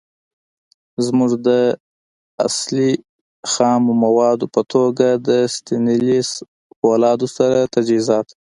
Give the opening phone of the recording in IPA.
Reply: z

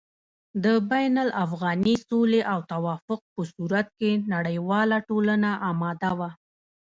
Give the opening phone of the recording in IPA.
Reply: d̪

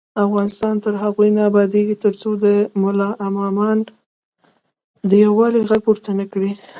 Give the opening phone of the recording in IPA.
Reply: a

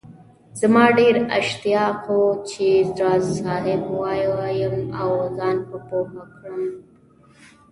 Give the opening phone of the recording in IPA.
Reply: z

